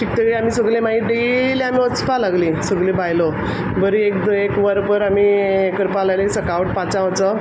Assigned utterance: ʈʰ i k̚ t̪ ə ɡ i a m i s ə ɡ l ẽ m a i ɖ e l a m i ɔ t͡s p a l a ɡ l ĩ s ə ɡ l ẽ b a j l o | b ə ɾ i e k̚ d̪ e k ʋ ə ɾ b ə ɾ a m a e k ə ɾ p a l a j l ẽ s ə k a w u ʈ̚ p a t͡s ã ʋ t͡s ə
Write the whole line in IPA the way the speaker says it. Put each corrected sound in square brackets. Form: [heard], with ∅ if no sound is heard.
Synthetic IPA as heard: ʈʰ i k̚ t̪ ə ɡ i a m i s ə ɡ l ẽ m a i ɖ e l a m i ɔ t͡s p a l a ɡ l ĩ s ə ɡ l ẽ b a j l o | b ə ɾ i e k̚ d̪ e k ʋ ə ɾ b ə ɾ a m [i] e k ə ɾ p a l a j l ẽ s ə k a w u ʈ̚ p a t͡s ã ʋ t͡s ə